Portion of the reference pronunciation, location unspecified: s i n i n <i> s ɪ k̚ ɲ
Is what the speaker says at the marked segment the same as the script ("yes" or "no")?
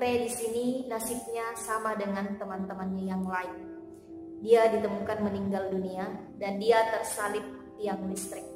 no